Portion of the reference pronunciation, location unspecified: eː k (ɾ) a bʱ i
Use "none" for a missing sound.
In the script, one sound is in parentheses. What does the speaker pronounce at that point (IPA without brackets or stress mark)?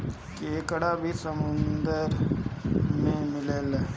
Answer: ɽ